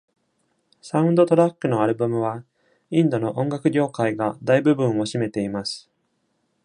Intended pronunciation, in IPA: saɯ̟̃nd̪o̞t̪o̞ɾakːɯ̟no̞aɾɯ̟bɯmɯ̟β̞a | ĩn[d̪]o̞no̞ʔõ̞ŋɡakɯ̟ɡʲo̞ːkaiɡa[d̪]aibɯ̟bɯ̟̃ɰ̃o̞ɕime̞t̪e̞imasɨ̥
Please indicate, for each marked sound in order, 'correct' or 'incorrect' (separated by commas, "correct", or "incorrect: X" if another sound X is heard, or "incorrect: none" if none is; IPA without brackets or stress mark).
correct, correct